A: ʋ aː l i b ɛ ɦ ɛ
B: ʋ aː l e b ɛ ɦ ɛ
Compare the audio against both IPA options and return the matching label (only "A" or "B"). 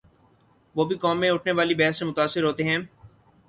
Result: A